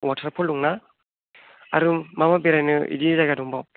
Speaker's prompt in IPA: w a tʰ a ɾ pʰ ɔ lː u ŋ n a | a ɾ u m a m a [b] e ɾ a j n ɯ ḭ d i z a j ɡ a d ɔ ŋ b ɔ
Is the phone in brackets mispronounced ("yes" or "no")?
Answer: no